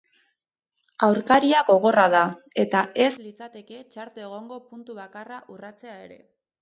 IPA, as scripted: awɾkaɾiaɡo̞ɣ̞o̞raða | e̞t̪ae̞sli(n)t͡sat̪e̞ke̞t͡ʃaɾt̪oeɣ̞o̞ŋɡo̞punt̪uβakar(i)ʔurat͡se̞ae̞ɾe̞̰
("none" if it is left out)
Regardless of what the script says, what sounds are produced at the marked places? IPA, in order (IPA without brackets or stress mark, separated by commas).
none, a